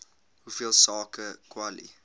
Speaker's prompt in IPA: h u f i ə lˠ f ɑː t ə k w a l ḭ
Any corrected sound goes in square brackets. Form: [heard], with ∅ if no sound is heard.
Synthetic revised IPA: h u f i ə lˠ [s] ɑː [k] ə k w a l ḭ

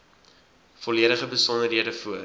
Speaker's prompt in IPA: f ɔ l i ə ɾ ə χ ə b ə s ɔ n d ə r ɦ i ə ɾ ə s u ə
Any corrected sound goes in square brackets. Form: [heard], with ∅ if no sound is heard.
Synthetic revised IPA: f ɔ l i ə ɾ ə χ ə b ə s ɔ n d ə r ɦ i ə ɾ ə [f] u ə

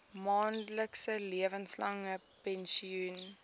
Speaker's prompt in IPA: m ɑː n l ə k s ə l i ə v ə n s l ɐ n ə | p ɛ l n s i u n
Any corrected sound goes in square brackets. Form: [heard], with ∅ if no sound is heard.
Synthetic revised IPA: m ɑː n l ə k s ə l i ə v ə n s l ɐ [ŋ] ə | p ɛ [∅] n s i u n

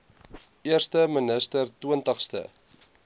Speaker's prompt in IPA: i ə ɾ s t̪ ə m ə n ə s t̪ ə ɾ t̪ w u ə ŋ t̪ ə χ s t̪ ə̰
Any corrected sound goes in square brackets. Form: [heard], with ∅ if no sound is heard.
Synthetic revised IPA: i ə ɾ s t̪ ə m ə n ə s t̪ ə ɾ t̪ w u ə [n] t̪ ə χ s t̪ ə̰

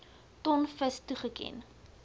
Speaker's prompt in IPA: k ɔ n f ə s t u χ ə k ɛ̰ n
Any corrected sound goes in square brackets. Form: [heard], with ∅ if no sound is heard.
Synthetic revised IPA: [t] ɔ n f ə s t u χ ə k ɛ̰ n

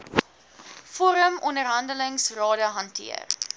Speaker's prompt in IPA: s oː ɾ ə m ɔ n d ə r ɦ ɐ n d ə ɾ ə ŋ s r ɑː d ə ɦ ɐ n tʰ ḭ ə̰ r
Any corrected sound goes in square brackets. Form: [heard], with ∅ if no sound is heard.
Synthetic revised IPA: [f] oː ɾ ə m ɔ n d ə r ɦ ɐ n d ə [l] ə ŋ s r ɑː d ə ɦ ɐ n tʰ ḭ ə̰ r

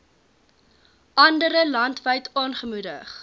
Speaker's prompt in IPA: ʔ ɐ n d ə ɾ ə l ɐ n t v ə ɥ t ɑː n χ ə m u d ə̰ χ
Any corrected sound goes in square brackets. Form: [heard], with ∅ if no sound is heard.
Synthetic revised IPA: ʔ ɐ n d ə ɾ ə l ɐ n t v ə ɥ t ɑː n χ ə m u d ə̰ χ

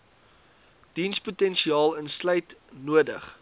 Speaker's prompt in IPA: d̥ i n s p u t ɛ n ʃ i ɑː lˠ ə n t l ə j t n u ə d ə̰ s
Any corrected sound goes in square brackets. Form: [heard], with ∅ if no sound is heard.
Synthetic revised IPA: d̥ i n s p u t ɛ n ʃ i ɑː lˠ ə n [s] l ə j t n u ə d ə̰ [χ]

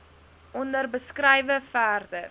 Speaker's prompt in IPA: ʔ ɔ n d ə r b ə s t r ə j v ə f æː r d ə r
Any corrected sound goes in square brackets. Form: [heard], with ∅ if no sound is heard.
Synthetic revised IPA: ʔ ɔ n d ə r b ə s [k] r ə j v ə f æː r d ə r

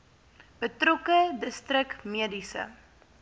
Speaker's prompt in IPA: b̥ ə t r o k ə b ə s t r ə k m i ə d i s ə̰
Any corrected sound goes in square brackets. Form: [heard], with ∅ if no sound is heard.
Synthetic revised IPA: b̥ ə t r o k ə [d] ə s t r ə k m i ə d i s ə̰

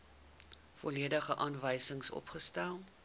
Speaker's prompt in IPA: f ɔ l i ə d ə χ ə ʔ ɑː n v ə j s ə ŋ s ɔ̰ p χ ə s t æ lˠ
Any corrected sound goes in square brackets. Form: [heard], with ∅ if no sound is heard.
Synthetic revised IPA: f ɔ l i ə d ə χ ə ʔ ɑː n v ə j s ə ŋ s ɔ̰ p χ ə s t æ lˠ

